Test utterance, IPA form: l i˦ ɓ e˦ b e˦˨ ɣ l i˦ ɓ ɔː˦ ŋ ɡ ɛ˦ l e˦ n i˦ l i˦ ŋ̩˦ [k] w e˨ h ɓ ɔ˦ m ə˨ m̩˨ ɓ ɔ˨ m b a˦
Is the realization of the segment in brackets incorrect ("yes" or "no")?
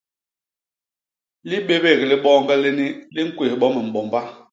no